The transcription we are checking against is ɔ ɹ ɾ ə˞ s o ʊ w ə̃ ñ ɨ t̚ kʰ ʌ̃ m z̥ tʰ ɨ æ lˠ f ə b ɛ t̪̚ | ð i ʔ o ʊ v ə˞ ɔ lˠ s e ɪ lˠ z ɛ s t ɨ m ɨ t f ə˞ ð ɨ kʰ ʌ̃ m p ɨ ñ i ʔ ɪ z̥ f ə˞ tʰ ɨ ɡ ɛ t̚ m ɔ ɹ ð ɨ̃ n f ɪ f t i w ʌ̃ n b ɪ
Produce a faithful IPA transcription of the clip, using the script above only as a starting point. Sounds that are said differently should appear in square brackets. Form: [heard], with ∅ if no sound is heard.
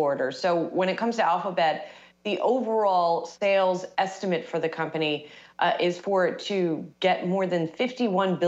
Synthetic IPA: ɔ ɹ ɾ ə˞ s o ʊ w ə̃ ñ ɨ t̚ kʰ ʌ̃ m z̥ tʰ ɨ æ lˠ f ə b ɛ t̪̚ | ð i ʔ o ʊ v ə˞ ɔ lˠ s e ɪ lˠ z ɛ s t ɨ m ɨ t f ə˞ ð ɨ kʰ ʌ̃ m p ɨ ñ i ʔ ɪ z̥ f ə˞ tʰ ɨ ɡ ɛ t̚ m ɔ ɹ ð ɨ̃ n f ɪ f t i w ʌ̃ n b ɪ